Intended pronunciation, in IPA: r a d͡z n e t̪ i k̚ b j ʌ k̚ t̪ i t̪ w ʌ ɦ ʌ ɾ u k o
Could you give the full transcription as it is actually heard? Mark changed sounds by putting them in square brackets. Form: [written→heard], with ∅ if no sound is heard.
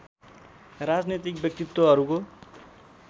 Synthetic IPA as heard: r a d͡z n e t̪ i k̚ b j ʌ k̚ t̪ i t̪ w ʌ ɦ ʌ ɾ u k o